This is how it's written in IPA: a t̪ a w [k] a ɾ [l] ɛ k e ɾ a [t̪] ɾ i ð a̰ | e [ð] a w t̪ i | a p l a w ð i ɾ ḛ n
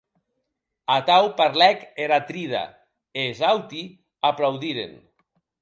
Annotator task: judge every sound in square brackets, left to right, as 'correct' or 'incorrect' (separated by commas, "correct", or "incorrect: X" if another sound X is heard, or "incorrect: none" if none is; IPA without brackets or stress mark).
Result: incorrect: p, correct, correct, incorrect: z